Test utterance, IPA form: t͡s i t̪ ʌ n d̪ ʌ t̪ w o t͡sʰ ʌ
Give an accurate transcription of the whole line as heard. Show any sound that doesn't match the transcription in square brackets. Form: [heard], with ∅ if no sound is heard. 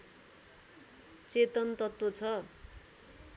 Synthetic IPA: t͡s [e] t̪ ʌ n [t̪] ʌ t̪ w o t͡sʰ ʌ